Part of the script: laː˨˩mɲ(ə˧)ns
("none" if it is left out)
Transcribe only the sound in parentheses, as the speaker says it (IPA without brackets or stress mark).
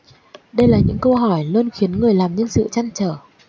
ə˧